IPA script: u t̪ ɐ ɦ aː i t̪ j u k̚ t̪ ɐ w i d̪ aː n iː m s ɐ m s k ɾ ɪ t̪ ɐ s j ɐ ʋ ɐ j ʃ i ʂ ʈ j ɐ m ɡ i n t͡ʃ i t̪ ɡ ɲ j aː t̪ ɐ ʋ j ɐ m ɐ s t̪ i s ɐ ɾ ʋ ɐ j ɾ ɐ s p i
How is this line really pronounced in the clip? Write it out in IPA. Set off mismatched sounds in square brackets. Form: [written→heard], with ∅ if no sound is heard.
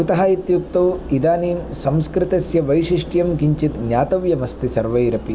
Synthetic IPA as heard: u t̪ ɐ ɦ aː i t̪ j u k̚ t̪ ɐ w i d̪ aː n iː m s ɐ m s k ɾ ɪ t̪ ɐ s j ɐ ʋ ɐ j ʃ i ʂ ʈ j ɐ m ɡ i [n→ɲ] t͡ʃ i t̪ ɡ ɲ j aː t̪ ɐ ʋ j ɐ m ɐ s t̪ i s ɐ ɾ ʋ ɐ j ɾ ɐ [s→∅] p i